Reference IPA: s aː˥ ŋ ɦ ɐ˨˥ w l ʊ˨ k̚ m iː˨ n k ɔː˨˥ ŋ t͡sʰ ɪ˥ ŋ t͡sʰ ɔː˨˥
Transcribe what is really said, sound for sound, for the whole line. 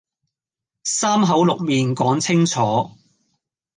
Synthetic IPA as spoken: s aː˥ m ɦ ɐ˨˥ w l ʊ˨ k̚ m iː˨ n k ɔː˨˥ ŋ t͡sʰ ɪ˥ ŋ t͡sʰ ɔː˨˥